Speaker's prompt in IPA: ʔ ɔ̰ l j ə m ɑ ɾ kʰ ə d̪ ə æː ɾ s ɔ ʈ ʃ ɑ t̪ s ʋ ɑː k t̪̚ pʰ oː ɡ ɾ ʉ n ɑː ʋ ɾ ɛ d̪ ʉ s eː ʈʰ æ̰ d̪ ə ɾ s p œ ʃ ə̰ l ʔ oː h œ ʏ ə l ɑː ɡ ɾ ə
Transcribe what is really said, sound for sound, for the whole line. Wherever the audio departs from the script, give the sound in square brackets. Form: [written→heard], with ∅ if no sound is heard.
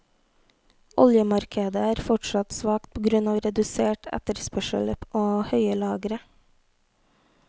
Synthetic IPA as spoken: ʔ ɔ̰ l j ə m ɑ ɾ kʰ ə d̪ ə æː ɾ [s→f] ɔ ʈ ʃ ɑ t̪ s ʋ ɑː k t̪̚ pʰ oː ɡ ɾ ʉ n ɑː ʋ ɾ ɛ d̪ ʉ s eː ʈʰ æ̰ [d̪→t̪] ə ɾ s p œ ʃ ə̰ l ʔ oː h œ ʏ ə l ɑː ɡ ɾ ə